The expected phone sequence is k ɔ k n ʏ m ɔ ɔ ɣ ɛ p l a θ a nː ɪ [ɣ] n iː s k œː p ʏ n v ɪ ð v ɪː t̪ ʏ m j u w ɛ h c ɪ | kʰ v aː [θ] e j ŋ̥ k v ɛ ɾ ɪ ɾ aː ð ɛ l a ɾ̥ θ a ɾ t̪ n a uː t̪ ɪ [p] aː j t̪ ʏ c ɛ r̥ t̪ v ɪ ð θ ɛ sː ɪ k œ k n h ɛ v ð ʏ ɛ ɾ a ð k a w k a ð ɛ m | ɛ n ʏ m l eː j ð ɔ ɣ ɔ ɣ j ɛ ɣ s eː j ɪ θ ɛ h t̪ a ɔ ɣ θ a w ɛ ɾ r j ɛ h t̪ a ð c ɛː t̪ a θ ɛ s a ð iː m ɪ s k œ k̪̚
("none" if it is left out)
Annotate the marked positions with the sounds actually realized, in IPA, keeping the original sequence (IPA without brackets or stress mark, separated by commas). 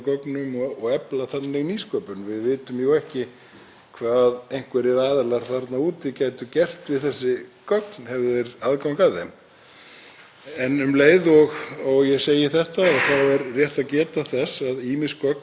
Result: ɣ, ð, c